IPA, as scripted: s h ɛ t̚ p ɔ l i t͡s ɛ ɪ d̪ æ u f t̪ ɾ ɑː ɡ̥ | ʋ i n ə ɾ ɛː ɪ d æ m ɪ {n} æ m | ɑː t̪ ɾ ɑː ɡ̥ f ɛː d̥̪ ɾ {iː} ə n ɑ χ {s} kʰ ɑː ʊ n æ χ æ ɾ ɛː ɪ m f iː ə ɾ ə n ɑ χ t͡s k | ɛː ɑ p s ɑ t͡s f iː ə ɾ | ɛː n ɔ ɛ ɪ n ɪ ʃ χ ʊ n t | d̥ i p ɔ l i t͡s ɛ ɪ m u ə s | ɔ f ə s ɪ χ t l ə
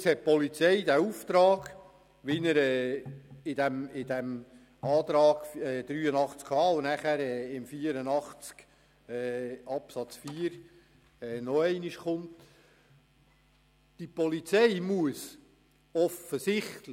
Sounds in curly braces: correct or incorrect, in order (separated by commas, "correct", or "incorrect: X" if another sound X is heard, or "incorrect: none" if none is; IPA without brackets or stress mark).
incorrect: d, incorrect: yː, incorrect: t͡s